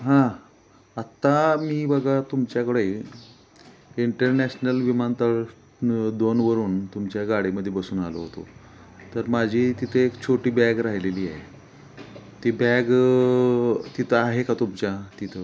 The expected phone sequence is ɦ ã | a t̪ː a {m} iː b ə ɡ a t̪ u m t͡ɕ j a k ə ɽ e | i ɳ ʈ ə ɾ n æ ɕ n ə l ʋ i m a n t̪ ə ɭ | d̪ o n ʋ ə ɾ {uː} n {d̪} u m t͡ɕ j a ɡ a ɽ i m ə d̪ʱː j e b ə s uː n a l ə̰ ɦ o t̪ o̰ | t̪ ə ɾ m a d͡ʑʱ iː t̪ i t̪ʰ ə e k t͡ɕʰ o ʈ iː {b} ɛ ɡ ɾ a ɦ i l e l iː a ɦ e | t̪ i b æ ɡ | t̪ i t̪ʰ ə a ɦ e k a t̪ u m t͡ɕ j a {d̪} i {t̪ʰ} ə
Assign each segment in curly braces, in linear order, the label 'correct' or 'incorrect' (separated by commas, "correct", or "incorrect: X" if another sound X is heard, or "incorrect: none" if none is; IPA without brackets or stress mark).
correct, correct, incorrect: t̪, correct, incorrect: t̪, correct